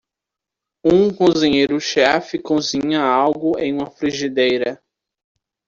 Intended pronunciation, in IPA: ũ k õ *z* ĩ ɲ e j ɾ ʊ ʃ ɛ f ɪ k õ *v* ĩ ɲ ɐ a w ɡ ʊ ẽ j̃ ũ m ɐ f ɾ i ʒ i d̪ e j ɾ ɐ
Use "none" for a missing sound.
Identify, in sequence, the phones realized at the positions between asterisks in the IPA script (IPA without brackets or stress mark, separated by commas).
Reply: z, z